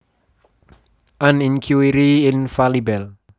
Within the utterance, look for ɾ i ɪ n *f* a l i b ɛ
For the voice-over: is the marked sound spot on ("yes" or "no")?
yes